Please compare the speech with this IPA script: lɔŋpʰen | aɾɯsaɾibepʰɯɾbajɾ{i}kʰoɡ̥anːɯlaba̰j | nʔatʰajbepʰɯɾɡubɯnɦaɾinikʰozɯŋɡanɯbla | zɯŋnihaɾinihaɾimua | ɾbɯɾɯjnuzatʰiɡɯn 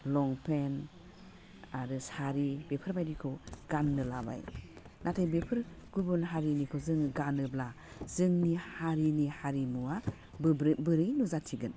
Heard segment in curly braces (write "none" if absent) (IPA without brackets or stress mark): i